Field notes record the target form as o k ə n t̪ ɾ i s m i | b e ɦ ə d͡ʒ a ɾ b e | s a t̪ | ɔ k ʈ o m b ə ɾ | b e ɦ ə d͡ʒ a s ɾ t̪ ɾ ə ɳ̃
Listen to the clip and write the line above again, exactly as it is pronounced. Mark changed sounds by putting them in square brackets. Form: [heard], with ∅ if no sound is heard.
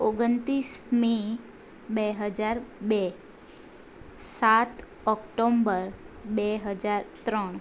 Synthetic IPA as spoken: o [ɡ] ə n t̪ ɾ i s m i | b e ɦ ə d͡ʒ a ɾ b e | s a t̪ | ɔ k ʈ o m b ə ɾ | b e ɦ ə d͡ʒ a [∅] ɾ t̪ ɾ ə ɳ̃